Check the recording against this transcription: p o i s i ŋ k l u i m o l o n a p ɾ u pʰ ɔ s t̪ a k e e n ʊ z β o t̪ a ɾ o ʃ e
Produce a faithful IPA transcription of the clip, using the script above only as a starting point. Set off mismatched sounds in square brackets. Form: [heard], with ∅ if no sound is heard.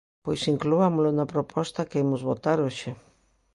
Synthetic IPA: p o [j] s i ŋ k l u [a] m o l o n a p ɾ [o] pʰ ɔ s t̪ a k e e [m] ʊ z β o t̪ a ɾ o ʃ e